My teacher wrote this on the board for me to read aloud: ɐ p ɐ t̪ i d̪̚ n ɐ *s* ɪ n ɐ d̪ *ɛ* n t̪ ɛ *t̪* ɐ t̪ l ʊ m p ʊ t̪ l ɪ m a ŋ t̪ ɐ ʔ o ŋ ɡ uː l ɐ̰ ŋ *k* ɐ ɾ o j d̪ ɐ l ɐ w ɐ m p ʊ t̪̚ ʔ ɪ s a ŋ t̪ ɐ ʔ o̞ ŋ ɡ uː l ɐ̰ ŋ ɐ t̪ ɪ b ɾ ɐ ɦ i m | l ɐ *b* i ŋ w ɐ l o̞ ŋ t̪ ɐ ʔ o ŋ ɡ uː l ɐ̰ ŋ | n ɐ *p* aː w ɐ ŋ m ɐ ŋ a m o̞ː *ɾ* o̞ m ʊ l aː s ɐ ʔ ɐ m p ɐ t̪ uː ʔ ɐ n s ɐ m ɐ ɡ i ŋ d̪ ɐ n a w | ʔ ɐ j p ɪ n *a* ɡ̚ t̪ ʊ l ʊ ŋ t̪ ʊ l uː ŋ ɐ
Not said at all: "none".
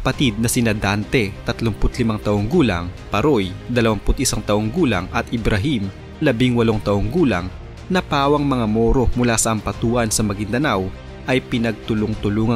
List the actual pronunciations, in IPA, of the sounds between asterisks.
s, a, t̪, p, b, p, ɾ, ɐ

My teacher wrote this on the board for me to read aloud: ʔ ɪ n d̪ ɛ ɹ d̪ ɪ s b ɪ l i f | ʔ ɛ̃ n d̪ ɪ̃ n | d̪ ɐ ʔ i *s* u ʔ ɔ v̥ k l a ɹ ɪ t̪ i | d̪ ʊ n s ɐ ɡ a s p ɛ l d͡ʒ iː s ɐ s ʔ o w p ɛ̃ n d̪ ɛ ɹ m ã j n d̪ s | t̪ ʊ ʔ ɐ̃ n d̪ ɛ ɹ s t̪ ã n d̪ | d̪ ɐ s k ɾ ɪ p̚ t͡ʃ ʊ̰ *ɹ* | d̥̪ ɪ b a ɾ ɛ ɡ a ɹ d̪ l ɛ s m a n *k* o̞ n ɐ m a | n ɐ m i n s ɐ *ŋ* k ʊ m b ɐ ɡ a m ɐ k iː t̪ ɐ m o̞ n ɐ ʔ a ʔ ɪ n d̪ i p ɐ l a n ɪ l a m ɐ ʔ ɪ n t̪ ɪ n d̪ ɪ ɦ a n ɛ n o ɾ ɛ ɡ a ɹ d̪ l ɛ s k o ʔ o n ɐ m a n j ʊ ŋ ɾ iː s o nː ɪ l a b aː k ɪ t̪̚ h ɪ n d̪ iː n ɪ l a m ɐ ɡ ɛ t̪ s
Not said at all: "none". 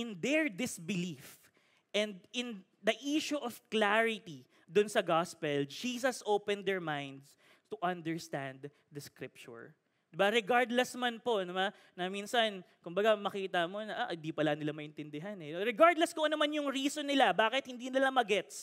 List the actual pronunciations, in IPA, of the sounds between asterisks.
ʃ, ɹ, p, n

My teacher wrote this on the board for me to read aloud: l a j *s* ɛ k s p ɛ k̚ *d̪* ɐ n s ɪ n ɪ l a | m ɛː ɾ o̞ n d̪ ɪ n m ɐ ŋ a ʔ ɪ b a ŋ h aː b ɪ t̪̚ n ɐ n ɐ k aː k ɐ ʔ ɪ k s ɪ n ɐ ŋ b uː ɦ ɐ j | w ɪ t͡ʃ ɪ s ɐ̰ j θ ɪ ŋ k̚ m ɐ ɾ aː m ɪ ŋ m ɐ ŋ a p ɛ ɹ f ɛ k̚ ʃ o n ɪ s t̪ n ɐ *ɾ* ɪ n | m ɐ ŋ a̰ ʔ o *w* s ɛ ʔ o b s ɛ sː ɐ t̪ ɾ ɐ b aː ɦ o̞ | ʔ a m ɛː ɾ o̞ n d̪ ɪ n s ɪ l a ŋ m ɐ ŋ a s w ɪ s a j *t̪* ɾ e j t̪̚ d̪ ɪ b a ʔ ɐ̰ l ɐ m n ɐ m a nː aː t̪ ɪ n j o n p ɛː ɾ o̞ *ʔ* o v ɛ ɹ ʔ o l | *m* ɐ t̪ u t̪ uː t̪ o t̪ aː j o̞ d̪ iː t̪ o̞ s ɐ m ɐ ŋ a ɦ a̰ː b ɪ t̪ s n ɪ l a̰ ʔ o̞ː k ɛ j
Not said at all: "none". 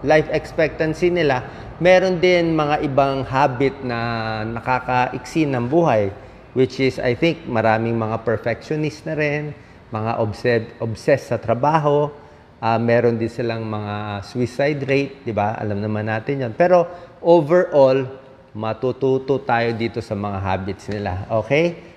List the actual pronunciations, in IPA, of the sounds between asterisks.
f, t̪, ɾ, b, d̪, ʔ, m

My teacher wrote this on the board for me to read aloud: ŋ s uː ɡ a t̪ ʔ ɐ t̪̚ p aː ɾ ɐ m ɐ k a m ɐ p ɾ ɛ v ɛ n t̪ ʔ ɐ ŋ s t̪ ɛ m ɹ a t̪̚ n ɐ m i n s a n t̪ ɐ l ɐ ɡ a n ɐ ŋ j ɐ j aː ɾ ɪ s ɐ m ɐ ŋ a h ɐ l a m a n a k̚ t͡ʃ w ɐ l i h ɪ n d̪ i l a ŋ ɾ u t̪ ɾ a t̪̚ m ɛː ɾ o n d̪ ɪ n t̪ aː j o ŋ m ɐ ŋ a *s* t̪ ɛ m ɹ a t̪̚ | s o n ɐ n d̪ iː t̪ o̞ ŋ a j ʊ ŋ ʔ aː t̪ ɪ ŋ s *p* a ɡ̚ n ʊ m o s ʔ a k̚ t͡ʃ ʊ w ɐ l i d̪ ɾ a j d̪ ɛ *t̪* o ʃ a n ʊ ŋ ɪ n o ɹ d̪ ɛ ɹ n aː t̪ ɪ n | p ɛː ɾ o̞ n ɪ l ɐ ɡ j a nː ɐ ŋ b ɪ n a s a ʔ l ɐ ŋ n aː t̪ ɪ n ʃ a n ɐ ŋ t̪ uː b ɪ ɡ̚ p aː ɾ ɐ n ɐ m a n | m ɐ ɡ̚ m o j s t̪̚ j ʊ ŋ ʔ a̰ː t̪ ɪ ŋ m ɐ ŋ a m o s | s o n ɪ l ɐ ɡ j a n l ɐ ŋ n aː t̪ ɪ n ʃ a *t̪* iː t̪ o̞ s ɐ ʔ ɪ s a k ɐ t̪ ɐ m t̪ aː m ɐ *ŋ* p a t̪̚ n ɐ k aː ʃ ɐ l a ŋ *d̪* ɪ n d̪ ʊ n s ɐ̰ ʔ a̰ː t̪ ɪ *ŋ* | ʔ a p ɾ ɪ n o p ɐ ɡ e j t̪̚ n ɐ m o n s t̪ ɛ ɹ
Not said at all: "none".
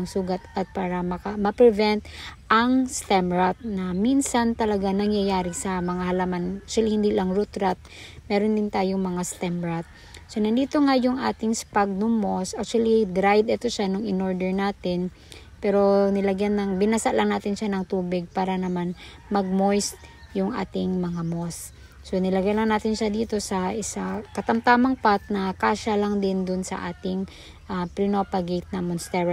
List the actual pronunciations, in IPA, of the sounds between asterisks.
s, p, t̪, d̪, ŋ, d̪, ŋ

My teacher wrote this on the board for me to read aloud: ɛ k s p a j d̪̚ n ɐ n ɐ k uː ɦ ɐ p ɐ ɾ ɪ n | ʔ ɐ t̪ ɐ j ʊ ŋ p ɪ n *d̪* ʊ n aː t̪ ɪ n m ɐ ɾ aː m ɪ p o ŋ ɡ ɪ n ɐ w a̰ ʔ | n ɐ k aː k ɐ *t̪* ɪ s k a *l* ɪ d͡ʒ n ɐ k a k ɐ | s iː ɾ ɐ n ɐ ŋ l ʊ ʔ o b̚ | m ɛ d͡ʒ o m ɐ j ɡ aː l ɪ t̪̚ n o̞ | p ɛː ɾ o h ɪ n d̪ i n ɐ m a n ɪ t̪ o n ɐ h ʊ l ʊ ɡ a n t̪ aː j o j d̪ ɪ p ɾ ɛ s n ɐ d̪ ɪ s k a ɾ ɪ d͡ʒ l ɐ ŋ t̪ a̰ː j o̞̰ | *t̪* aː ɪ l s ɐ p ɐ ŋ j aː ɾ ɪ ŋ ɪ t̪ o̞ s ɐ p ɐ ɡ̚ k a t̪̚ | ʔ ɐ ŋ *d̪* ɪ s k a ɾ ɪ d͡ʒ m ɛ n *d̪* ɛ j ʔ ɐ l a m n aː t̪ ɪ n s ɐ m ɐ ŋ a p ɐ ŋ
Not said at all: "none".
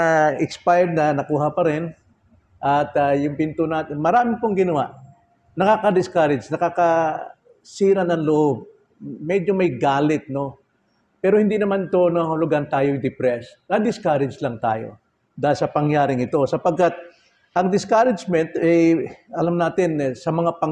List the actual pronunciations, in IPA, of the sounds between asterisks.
t̪, d̪, ɾ, d̪, d̪, t̪

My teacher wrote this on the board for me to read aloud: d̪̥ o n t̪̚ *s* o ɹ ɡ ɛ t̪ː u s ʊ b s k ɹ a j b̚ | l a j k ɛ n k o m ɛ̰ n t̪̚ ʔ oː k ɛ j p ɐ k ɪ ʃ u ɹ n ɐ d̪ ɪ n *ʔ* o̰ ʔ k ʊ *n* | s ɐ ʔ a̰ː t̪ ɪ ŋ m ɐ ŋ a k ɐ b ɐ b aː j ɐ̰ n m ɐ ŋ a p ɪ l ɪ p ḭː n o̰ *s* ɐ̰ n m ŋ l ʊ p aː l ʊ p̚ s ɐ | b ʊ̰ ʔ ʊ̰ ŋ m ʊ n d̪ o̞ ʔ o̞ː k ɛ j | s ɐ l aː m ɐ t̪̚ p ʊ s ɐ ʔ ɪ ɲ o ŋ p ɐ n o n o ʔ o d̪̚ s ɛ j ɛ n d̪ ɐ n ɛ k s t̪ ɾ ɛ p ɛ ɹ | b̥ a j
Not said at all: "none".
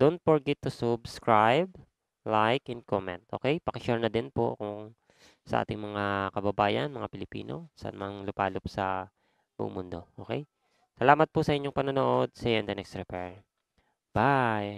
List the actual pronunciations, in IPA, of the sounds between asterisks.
f, p, ŋ, s

